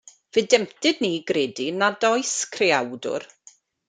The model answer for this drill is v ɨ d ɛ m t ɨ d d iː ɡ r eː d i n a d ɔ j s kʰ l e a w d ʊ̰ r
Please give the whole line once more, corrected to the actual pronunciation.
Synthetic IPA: v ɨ d ɛ m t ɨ d n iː ɡ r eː d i n a d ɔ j s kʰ r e a w d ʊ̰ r